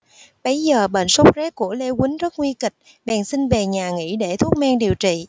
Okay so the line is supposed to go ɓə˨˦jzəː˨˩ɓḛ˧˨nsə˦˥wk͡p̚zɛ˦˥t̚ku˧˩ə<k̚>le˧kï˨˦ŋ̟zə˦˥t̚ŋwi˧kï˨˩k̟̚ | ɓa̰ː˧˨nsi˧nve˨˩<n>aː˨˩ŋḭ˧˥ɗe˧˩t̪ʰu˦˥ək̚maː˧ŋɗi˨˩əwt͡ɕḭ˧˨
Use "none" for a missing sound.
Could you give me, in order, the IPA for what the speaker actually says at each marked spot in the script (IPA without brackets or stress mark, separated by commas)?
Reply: none, ɲ